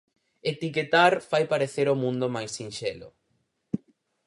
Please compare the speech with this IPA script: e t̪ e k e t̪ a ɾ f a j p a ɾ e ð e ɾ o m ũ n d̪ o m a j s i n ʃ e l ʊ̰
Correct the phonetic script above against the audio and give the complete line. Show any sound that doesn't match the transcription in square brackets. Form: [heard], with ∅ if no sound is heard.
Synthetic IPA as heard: e t̪ [i] k e t̪ a ɾ f a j p a ɾ e [θ] e ɾ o m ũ n d̪ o m a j s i n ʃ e l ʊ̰